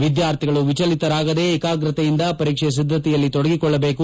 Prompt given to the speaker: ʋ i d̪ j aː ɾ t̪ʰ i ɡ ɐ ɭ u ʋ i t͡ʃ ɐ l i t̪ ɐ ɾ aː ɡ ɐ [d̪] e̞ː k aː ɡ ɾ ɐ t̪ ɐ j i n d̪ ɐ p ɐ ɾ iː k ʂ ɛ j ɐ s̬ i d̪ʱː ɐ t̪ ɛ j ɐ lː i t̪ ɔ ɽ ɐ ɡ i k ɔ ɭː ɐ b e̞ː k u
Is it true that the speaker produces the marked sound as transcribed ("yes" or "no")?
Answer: yes